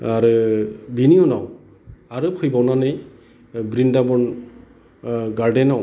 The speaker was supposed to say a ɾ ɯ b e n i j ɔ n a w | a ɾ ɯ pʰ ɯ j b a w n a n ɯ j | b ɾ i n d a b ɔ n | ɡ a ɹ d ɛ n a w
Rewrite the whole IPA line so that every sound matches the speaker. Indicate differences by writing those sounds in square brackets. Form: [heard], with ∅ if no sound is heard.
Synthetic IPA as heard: a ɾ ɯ b [i] n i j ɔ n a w | a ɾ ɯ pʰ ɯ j b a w n a n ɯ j | b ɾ i n d a b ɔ n | ɡ a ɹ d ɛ n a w